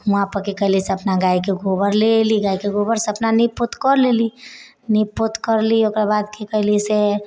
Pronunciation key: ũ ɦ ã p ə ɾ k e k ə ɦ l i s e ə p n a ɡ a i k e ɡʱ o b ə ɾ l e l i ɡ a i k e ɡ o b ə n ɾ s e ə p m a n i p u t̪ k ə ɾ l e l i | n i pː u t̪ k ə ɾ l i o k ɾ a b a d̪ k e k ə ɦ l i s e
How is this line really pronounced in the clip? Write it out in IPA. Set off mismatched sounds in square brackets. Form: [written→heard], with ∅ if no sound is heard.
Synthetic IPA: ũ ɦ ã p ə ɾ k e k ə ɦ l i s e ə p n a ɡ a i k e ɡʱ o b ə ɾ l e l i ɡ a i k e ɡ o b ə [n→∅] ɾ s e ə p [m→n] a n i p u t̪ k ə ɾ l e l i | n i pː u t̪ k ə ɾ l i o k ɾ a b a d̪ k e k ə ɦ l i s e